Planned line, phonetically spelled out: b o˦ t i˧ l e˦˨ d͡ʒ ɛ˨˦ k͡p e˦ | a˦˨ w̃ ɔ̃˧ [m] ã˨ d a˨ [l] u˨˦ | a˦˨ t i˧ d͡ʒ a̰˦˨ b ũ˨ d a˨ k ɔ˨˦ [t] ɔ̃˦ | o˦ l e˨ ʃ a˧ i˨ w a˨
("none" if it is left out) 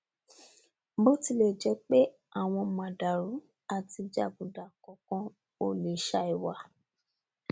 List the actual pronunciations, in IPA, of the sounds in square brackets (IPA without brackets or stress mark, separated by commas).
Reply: m, ɾ, k